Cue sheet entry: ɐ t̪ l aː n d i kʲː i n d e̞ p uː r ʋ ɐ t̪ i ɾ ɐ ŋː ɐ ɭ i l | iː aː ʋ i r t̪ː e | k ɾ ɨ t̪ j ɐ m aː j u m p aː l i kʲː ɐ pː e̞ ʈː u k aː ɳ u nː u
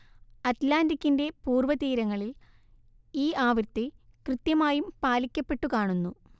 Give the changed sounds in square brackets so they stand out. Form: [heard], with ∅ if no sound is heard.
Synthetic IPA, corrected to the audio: ɐ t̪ l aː n d i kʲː i n d e̞ p uː r ʋ ɐ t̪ [iː] ɾ ɐ ŋː ɐ ɭ i l | iː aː ʋ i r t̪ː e | k [r] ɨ t̪ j ɐ m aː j u m p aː l i kʲː ɐ pː e̞ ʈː u k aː ɳ u nː u